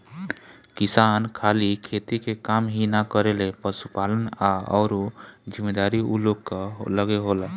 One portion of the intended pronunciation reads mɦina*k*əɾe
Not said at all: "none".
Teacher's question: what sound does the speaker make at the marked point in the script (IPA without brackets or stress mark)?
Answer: k